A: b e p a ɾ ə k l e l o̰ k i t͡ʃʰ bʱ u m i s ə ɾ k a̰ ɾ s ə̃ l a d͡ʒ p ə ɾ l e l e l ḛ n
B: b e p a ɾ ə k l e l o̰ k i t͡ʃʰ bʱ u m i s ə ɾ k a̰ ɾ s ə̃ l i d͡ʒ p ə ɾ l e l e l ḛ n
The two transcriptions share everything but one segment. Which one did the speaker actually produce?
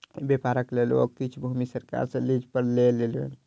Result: B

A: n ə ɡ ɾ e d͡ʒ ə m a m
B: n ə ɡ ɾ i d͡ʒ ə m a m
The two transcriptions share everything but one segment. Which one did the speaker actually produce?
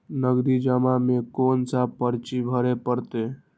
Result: B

